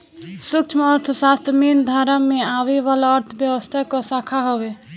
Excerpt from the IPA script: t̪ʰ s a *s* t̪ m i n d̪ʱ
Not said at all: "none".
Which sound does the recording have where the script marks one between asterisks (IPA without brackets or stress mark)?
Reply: s